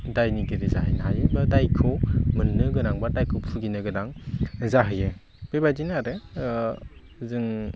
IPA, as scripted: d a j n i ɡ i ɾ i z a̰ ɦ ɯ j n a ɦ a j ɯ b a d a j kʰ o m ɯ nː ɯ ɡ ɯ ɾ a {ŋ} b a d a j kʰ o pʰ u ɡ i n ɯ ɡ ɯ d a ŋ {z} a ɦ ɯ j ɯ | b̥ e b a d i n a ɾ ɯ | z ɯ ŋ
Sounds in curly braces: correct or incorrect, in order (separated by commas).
correct, correct